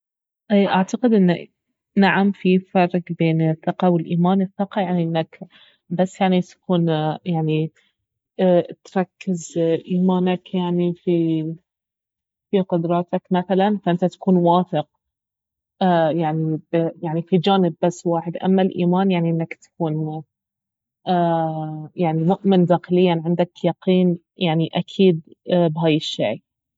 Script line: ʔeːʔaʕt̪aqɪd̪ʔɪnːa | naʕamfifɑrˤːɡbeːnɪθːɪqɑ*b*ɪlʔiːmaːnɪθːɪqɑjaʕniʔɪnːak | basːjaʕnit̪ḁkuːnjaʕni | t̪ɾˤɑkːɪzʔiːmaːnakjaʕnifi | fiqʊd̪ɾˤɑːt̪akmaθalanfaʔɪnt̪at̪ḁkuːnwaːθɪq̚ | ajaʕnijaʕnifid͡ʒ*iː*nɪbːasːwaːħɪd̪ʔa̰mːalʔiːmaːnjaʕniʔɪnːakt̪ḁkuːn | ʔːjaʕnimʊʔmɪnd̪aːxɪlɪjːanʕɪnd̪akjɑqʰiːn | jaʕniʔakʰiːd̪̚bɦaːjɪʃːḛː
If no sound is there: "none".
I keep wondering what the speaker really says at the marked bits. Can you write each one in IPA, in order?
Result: w, aː

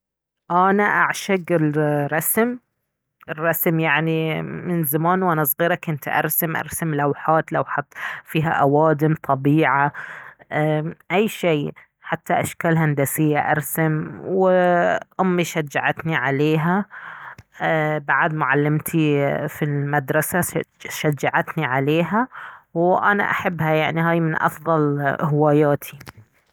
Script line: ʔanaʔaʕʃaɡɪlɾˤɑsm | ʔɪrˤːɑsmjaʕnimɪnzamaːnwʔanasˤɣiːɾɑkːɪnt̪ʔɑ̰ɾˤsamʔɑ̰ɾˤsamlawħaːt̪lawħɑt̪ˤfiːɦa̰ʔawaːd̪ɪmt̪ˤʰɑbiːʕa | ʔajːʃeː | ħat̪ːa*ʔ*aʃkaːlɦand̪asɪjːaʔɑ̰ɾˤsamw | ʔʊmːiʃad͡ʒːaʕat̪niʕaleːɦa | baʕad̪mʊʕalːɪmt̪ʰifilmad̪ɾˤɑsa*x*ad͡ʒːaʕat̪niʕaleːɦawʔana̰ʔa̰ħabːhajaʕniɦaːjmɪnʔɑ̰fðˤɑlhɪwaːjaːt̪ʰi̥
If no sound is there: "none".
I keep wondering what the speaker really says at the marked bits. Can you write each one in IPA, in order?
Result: ʔ, ʃ

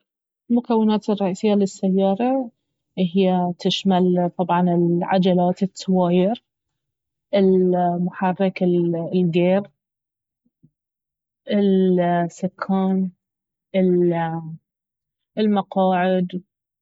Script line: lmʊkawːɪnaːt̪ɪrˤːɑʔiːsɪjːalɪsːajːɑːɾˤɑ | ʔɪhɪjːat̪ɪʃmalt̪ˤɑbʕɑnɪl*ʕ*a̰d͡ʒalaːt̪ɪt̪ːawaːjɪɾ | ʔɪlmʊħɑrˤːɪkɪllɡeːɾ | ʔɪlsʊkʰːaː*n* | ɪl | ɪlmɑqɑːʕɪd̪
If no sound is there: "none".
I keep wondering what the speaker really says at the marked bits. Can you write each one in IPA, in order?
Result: ʕ, n

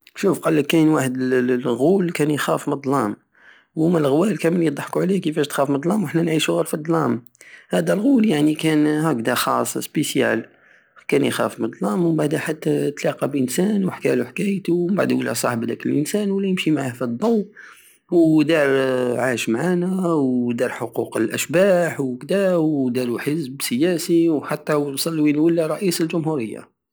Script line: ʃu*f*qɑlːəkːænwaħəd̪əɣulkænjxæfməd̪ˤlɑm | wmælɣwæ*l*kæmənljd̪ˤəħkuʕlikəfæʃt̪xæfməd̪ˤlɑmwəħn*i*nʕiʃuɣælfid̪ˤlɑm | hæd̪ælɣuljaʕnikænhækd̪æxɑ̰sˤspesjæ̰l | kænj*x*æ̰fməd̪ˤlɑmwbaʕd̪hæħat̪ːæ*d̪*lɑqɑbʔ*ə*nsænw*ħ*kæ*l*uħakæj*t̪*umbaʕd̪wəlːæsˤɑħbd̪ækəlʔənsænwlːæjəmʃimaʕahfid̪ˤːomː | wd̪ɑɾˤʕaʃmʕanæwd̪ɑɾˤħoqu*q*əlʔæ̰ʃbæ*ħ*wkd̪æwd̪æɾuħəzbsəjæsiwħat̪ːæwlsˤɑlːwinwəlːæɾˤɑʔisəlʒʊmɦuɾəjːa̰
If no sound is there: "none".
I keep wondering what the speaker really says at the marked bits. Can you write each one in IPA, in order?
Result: f, l, æ, x, t̪, ə, ħ, l, t̪, q, ħ

